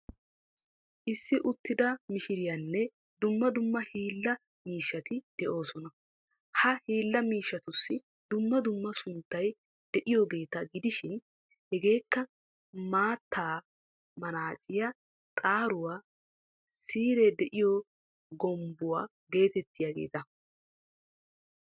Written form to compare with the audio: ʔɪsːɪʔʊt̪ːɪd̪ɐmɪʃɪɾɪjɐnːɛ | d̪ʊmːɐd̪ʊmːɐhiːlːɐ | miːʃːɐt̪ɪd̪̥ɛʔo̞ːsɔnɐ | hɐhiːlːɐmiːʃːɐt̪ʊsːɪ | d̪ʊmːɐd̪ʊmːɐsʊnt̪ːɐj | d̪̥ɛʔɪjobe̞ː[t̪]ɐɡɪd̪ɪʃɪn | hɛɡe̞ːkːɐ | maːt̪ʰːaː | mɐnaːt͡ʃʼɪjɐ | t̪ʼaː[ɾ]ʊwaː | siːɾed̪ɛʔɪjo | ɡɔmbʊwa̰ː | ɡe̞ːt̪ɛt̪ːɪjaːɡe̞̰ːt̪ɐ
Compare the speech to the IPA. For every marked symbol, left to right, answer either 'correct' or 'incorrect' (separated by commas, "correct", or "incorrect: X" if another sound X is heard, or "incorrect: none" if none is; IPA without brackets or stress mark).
correct, correct